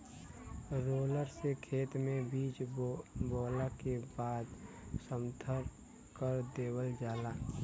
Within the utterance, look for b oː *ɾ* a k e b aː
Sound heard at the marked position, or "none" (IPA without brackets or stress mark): l